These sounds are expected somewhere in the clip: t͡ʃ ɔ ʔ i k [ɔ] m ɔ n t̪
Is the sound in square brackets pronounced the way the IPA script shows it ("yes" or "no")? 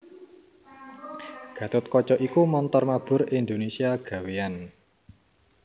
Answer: no